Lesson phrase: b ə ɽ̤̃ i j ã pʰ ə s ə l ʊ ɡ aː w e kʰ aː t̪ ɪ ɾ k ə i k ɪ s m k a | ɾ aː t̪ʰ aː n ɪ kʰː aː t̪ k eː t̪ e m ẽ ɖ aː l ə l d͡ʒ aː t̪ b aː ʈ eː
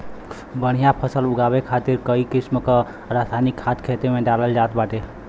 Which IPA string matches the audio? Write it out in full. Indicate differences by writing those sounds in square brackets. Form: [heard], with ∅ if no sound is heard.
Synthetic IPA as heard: b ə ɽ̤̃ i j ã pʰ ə s ə l ʊ ɡ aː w e kʰ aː t̪ ɪ ɾ k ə i k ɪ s m k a | ɾ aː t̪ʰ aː n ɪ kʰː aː t̪ [kʰ] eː t̪ e m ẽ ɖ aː l ə l d͡ʒ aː t̪ b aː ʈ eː